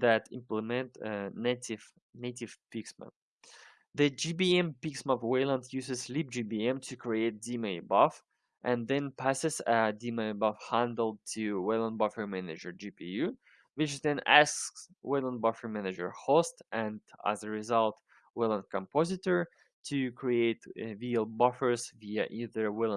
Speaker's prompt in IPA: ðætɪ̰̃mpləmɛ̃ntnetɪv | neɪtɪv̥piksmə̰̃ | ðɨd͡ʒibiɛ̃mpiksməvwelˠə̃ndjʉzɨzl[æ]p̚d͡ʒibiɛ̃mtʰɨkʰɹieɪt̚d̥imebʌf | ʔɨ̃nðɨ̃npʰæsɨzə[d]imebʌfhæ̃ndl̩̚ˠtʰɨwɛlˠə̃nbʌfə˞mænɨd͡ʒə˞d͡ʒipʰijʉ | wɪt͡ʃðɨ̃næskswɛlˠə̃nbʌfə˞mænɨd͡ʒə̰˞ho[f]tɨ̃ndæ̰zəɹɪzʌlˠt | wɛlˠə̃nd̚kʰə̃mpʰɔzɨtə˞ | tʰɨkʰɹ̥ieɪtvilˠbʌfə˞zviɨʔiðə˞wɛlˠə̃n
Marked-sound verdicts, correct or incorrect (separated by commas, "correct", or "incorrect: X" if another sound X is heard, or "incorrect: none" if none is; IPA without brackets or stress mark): incorrect: i, correct, incorrect: s